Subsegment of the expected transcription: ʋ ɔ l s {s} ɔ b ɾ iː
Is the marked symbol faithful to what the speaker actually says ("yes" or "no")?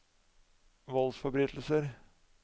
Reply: no